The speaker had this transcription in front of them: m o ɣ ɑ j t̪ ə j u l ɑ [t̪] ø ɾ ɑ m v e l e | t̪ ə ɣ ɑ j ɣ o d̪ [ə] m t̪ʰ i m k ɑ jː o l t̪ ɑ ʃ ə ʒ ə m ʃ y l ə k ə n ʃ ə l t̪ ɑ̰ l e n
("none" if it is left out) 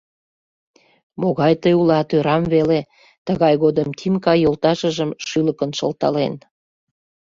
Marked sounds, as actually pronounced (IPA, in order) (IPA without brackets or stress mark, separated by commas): t̪, ə